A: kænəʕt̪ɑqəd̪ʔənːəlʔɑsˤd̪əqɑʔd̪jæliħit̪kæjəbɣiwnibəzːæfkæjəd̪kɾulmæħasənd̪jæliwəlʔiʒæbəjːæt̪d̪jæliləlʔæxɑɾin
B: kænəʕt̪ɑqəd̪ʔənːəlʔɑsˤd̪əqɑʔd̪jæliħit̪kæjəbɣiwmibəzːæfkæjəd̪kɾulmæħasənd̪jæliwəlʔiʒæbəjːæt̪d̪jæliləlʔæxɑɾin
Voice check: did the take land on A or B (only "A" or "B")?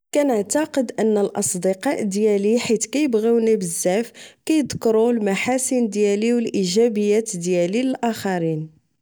A